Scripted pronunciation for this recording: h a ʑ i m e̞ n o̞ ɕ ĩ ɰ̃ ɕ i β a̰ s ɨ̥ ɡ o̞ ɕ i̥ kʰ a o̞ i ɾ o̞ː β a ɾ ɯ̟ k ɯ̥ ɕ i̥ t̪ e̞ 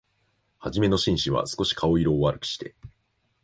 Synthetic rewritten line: h a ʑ i m e̞ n o̞ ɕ ĩ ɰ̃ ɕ i β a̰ s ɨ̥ k o̞ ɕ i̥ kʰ a o̞ i ɾ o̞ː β a ɾ ɯ̟ k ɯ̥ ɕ i̥ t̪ e̞